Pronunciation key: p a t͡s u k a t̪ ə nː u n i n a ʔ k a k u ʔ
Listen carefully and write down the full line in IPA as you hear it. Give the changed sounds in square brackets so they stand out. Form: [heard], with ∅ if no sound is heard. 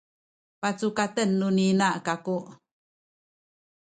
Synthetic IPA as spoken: p a t͡s u k a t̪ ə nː u n i n a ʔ k a k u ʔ